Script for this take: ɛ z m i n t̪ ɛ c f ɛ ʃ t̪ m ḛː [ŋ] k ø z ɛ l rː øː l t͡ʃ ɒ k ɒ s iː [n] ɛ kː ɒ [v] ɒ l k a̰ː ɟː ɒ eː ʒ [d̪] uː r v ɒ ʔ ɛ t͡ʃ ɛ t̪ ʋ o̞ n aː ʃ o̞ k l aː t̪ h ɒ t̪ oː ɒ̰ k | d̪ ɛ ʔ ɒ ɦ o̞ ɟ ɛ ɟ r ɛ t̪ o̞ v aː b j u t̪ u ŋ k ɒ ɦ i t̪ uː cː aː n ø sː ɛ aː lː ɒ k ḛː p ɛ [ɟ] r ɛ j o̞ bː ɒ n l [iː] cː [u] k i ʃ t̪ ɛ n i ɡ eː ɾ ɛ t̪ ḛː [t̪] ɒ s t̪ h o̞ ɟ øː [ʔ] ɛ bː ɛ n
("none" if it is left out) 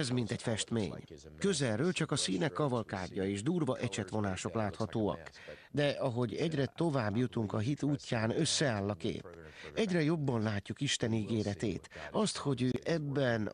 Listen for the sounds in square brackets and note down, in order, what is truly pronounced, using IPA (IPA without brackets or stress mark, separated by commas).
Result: ɲ, n, v, d̪, ɟ, aː, u, t̪, ʔ